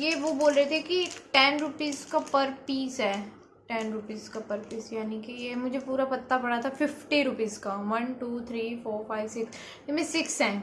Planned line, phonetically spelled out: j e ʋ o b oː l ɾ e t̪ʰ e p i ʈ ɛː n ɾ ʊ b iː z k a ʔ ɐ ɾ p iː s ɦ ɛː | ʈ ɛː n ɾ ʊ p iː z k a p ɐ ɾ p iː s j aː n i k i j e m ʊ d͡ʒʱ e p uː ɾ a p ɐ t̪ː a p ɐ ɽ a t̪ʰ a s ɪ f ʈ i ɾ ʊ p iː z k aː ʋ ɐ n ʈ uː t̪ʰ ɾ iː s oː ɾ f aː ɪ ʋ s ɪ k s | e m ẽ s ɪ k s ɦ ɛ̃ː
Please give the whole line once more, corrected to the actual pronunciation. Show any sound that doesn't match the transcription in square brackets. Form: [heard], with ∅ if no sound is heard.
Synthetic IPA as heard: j e ʋ o b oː l ɾ e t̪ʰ e [k] i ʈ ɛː n ɾ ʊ [p] iː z k a [p] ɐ ɾ p iː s ɦ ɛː | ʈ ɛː n ɾ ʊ p iː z k a p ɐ ɾ p iː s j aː n i k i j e m ʊ d͡ʒʱ e p uː ɾ a p ɐ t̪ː a p ɐ ɽ a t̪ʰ a [f] ɪ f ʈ i ɾ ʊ p iː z k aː ʋ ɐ n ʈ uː t̪ʰ ɾ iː [f] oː ɾ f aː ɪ ʋ s ɪ k s | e m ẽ s ɪ k s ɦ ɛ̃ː